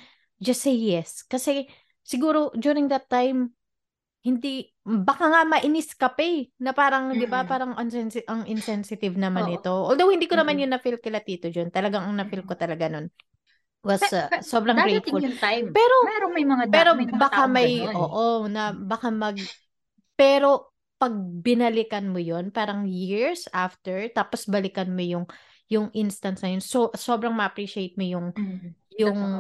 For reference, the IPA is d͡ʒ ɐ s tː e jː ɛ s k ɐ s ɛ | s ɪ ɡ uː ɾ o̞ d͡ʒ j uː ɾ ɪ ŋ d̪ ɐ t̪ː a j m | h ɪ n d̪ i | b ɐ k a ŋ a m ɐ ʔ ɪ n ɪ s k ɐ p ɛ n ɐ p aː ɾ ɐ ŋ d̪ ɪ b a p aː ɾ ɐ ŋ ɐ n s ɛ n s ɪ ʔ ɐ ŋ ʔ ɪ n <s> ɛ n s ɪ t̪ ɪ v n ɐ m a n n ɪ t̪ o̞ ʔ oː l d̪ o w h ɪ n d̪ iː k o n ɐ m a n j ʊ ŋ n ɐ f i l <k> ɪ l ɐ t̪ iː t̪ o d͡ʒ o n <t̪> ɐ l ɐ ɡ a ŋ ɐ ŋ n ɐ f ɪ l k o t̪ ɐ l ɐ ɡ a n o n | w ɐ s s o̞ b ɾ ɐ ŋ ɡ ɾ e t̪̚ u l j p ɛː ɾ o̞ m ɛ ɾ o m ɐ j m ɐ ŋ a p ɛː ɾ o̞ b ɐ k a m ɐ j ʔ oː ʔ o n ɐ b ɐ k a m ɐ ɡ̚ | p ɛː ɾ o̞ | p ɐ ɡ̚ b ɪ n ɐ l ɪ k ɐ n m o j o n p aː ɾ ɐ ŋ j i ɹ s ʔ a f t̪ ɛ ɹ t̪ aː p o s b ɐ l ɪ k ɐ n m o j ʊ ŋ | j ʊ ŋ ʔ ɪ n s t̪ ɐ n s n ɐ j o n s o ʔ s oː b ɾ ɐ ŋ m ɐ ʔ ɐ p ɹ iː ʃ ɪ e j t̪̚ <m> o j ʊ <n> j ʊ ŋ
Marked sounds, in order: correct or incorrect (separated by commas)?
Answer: correct, correct, correct, correct, incorrect